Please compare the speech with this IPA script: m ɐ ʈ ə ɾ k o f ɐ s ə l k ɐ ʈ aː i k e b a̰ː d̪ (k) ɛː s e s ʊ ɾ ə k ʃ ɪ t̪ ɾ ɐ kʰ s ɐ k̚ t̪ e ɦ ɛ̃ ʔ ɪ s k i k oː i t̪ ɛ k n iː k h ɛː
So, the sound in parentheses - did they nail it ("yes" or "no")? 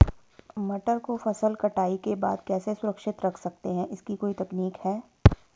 yes